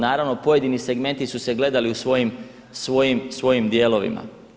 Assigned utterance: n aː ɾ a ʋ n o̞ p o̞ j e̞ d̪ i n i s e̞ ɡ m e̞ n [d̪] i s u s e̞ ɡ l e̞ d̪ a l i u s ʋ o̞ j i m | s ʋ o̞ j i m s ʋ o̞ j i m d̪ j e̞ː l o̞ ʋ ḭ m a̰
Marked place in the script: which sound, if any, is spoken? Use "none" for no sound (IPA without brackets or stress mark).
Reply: t̪